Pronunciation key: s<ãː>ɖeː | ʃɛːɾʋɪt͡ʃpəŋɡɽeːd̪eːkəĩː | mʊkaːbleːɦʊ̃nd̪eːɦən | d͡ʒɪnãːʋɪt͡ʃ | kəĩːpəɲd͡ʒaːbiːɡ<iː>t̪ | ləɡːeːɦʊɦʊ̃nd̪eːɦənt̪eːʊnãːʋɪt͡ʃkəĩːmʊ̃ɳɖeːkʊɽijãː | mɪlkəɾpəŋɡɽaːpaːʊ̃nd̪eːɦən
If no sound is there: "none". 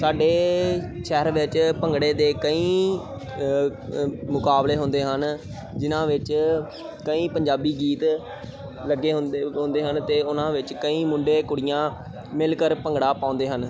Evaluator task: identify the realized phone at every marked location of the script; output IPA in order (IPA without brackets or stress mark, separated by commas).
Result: aː, iː